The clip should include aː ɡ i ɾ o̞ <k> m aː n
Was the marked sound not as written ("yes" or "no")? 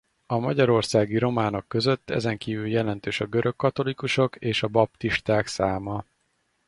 yes